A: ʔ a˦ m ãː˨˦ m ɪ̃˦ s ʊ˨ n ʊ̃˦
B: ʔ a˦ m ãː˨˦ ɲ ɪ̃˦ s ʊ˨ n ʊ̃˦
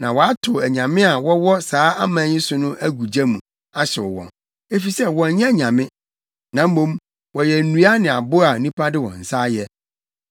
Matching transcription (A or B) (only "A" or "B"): B